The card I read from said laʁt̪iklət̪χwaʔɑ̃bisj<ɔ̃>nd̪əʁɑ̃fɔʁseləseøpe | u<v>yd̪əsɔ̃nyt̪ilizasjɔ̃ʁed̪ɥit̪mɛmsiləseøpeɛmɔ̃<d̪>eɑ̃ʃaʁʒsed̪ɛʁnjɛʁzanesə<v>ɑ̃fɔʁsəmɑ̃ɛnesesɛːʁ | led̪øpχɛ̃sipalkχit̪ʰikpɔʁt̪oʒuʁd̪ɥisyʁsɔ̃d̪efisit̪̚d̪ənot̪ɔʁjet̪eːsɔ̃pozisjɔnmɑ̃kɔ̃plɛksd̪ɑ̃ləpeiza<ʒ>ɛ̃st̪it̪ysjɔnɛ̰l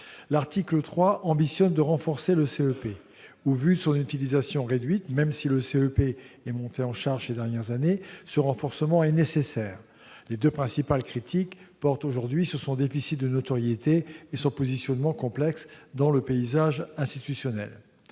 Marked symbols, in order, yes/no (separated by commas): no, yes, no, no, yes